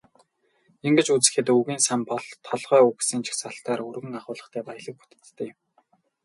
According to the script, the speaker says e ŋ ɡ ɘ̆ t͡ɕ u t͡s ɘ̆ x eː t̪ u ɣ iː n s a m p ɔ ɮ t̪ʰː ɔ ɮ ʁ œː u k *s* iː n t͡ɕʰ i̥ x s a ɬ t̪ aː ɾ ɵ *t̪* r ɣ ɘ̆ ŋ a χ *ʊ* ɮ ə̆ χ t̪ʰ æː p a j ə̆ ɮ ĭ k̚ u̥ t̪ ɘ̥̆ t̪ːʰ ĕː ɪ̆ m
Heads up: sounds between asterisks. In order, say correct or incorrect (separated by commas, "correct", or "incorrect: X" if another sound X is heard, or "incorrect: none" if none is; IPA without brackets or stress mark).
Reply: correct, incorrect: none, incorrect: ʊː